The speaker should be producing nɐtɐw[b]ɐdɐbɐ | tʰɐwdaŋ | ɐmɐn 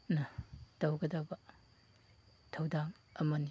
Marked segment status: incorrect: ɡ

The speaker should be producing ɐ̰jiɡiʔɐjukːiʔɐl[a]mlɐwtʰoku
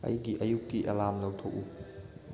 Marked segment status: correct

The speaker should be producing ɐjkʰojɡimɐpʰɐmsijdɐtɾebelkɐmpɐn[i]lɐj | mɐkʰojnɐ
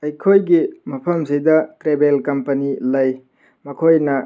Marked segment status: correct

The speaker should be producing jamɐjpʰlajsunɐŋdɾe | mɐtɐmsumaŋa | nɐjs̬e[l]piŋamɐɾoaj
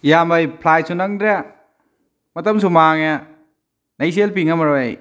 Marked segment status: correct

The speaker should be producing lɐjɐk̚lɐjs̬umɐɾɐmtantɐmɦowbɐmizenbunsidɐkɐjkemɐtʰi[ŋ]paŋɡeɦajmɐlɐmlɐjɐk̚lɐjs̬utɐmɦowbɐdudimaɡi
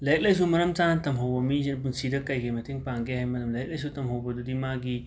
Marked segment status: correct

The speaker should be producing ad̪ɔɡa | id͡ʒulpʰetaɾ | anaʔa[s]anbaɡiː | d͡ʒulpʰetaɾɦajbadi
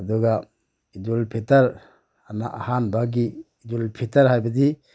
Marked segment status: incorrect: h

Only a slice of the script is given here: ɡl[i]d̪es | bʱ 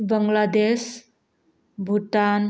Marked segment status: incorrect: a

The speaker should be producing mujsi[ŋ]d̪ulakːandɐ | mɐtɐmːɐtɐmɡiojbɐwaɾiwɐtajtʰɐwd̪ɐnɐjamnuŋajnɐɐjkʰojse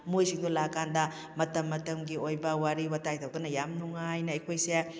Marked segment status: correct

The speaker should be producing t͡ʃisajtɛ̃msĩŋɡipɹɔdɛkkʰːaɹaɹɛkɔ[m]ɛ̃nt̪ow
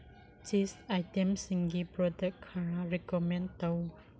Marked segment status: correct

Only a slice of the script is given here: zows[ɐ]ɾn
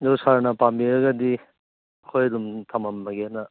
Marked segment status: incorrect: a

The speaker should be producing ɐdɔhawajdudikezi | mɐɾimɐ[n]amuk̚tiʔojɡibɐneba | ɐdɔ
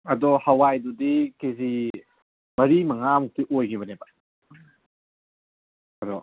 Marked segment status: incorrect: ŋ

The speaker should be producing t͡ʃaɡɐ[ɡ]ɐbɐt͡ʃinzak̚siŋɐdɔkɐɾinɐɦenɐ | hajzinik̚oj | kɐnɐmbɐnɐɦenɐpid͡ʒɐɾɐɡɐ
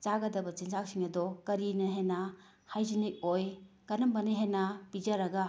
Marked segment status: incorrect: d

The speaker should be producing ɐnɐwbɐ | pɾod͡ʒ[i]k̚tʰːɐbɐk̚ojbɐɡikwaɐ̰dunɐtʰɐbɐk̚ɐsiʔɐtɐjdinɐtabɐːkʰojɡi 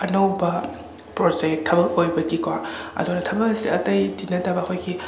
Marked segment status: incorrect: e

